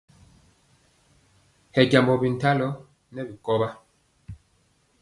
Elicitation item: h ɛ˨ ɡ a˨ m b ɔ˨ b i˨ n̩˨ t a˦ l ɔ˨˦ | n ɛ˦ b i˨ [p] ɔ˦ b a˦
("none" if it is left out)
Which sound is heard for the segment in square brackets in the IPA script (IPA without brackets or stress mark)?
k